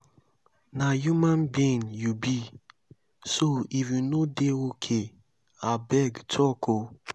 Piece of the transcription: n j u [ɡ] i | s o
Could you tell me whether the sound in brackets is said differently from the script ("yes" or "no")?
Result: yes